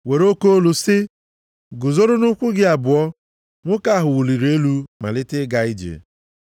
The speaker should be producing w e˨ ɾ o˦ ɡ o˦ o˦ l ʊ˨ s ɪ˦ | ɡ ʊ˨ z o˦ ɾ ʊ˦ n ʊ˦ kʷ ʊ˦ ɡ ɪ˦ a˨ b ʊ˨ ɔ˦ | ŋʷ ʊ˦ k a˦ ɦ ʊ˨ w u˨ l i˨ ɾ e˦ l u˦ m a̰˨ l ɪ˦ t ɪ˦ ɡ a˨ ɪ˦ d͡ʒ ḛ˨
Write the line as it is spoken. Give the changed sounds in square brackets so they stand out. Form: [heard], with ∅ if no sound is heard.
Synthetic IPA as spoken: w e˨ ɾ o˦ [k] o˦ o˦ l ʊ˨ s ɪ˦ | ɡ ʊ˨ z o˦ ɾ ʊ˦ n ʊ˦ kʷ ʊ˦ ɡ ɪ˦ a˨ b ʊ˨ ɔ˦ | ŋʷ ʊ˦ k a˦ ɦ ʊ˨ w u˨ l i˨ ɾ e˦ l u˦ m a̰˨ l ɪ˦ t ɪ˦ ɡ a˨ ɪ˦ d͡ʒ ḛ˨